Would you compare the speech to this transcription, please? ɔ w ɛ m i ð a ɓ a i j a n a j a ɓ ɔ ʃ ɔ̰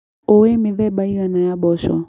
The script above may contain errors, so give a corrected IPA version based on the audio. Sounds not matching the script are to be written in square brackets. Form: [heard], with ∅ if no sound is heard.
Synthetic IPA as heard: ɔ w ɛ m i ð [ɛ] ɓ a i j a n a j a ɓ ɔ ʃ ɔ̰

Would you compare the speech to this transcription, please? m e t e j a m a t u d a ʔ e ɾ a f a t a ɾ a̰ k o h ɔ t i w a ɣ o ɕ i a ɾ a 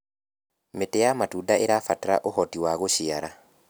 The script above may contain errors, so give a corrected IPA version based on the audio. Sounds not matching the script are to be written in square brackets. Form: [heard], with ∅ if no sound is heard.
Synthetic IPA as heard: m e t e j a m a t u d a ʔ e ɾ a f a t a ɾ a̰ [ʔ] o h ɔ t i w a ɣ o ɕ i a ɾ a

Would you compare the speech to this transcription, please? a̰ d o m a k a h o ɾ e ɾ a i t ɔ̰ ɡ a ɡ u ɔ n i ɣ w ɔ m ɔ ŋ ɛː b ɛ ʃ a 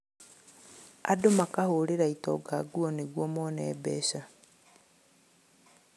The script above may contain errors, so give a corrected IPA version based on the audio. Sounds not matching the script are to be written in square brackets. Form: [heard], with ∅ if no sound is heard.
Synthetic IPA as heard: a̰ d o m a k a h o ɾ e ɾ a i t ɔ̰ ɡ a ɡ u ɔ n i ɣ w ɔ m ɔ [n] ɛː b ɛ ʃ a

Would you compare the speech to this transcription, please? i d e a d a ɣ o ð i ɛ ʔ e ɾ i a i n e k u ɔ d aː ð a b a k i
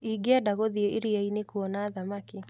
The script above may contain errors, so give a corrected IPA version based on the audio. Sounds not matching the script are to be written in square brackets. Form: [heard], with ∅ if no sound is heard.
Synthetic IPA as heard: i [ɡ] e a d a ɣ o ð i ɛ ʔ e ɾ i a i n e k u ɔ [n] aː ð a [m] a k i

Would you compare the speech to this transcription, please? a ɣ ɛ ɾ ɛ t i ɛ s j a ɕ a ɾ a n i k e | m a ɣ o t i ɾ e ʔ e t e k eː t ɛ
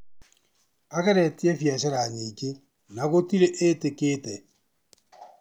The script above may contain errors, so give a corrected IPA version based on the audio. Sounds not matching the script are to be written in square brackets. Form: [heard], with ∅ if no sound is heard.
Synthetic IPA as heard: a ɣ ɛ ɾ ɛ t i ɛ [f] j a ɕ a ɾ a [ɲ] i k e | [n] a ɣ o t i ɾ e ʔ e t e k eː t ɛ

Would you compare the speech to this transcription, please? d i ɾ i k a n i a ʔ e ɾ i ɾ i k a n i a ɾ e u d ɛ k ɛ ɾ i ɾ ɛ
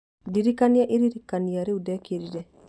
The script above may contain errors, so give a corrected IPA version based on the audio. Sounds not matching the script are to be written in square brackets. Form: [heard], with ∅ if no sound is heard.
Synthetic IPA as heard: d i ɾ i k a n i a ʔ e ɾ i ɾ i k a n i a ɾ e u d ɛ k [e] ɾ i ɾ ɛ

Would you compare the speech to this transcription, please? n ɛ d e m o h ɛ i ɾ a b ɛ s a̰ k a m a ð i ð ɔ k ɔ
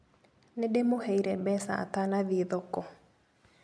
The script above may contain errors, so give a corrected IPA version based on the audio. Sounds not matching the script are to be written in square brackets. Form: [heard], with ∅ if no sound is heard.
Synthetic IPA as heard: n [e] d e m o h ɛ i ɾ [ɛ] b ɛ s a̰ [t] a [n] a ð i ð ɔ k ɔ

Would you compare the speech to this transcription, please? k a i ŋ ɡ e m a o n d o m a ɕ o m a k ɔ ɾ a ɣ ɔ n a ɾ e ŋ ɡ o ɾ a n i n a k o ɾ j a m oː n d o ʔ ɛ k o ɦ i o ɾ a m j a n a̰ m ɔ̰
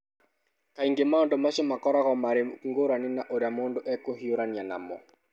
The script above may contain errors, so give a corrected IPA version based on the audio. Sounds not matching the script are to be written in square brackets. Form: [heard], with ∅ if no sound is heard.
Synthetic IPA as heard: k a i ŋ ɡ e m a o n d o m a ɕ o m a k ɔ ɾ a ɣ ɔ [m] a ɾ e ŋ ɡ o ɾ a n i n a [ʔ] o ɾ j a m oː n d o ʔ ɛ k o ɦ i o ɾ a [n] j a n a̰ m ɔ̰

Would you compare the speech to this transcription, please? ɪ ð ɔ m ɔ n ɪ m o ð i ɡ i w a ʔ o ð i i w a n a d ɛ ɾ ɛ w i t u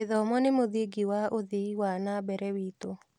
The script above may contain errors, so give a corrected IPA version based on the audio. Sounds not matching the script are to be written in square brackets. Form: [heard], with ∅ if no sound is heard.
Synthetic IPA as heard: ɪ ð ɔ m ɔ n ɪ m o ð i ɡ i w a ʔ o ð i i w a n a [b] ɛ ɾ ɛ w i t [o]

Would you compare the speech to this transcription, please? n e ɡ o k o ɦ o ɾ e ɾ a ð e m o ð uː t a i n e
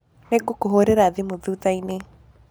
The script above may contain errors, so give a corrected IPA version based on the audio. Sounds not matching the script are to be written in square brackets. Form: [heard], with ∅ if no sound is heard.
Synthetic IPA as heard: n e ɡ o k o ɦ o ɾ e ɾ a ð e m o ð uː t a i n e

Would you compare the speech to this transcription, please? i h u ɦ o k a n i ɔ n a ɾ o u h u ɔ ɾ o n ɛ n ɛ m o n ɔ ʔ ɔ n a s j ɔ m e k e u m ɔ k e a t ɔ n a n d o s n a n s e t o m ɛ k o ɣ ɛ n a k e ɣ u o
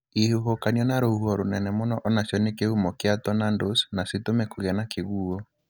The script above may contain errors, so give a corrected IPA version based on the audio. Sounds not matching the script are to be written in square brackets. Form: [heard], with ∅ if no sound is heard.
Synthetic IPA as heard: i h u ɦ o k a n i ɔ n a ɾ o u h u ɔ ɾ o n ɛ n ɛ m o n ɔ ʔ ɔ n a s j ɔ [n] e k e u m ɔ k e a t ɔ n a n d o s n a [∅] s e t o m ɛ k o ɣ ɛ n a k e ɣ u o

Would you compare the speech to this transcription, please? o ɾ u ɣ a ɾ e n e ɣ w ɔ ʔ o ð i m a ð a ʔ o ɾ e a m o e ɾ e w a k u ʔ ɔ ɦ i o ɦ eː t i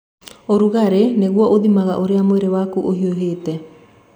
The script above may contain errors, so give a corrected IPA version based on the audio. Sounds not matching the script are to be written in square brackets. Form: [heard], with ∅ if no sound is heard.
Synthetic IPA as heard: o ɾ u ɣ a ɾ e n e ɣ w ɔ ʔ o ð i m a [ɣ] a ʔ o ɾ e a m o e ɾ e w a k u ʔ [o] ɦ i o ɦ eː t [ɛ]

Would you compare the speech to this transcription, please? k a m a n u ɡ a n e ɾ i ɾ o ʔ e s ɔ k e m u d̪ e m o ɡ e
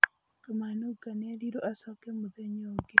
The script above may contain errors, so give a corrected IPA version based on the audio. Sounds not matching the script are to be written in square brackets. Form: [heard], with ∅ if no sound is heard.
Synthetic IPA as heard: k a m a n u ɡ a n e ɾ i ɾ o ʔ [a] s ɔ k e m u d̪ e [ɲ] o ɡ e

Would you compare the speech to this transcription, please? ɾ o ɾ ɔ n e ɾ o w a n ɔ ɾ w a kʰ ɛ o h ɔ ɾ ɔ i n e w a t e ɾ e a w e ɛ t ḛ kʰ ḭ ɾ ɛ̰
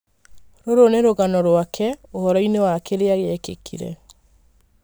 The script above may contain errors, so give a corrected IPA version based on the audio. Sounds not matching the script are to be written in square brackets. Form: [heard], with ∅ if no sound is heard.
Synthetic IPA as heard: ɾ o ɾ [o] n e ɾ o [ɣ] a n ɔ ɾ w a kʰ ɛ o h ɔ ɾ ɔ i n e w a [k] e ɾ e a [ɣ] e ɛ [k] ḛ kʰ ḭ ɾ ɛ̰

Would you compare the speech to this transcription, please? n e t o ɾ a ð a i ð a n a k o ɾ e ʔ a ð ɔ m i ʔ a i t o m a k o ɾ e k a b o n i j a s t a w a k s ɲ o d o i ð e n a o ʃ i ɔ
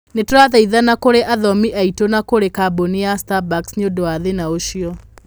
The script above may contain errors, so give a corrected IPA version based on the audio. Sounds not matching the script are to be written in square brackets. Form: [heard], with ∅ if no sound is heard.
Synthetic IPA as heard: n e t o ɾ a ð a i ð a n a k o ɾ e ʔ a ð ɔ m i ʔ a i t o [n] a k o ɾ e k a b o n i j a s t a [b] a k s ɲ o d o [a] ð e n a o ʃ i ɔ

